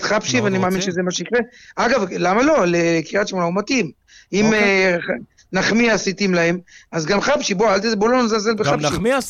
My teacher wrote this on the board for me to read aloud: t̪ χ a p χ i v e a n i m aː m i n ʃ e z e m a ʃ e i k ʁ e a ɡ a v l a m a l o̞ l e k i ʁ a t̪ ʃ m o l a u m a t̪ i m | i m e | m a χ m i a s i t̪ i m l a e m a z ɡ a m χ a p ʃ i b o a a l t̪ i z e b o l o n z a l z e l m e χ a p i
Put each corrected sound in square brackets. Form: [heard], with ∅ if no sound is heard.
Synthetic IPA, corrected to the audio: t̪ χ a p [ʃ] i v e a n i m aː m i n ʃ e z e m a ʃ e i k ʁ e a ɡ a v l a m a l o̞ l e k i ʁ a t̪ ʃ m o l a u m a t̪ i m | i m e | [n] a χ m i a s i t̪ i m l a e m a z ɡ a m χ a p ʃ i b o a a l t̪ i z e b o l o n z a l z e l [b] e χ a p i